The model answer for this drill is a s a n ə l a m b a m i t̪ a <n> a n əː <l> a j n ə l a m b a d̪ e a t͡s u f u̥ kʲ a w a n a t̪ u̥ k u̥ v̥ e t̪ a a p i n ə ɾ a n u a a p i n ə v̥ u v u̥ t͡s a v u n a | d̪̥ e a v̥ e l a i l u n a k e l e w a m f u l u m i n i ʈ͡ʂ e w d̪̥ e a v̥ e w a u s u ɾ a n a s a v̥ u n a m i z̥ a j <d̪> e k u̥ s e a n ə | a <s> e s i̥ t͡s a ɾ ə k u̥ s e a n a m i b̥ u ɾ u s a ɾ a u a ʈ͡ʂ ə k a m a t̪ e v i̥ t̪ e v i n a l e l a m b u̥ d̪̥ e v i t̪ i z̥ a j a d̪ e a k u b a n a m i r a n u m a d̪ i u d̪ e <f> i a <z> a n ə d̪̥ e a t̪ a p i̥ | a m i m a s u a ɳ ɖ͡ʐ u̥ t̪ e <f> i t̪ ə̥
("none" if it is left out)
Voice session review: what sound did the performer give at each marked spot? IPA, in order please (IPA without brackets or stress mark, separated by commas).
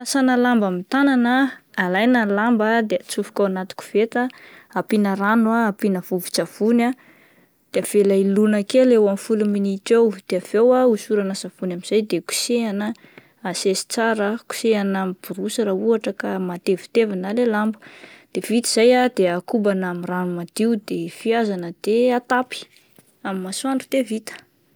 n, l, d̪, s, f, z, v